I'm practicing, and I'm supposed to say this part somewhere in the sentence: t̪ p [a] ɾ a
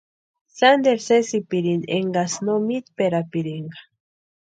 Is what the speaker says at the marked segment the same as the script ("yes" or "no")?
no